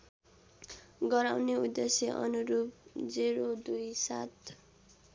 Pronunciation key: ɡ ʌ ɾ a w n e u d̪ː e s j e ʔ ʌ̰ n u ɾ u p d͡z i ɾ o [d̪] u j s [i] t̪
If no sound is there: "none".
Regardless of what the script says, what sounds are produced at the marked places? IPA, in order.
d̪, a

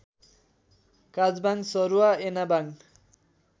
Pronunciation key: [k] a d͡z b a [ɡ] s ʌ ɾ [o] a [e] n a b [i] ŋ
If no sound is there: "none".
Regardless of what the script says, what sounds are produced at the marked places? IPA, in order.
k, ŋ, u, e, a

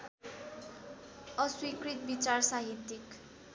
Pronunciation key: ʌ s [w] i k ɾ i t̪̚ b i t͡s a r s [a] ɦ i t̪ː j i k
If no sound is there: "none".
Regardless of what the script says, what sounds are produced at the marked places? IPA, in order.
w, a

